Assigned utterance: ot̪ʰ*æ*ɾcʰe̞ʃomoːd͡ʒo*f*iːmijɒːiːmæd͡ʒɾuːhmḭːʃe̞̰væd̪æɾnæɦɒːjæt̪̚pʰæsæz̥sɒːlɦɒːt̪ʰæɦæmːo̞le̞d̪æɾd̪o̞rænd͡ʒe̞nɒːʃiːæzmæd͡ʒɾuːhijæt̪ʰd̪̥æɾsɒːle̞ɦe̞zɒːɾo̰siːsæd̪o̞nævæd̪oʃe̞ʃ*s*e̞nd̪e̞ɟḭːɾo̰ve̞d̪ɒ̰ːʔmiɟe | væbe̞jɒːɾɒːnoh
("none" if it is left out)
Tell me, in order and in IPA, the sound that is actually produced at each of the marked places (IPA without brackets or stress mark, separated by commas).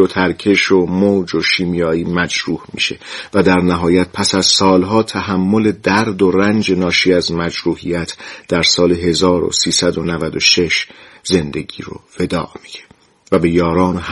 æ, ʃ, z